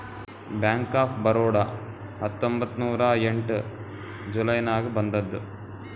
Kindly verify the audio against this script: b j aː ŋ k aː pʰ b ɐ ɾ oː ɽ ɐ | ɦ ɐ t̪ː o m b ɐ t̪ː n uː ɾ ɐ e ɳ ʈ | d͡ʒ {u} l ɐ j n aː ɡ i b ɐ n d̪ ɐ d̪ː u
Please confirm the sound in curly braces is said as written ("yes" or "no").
yes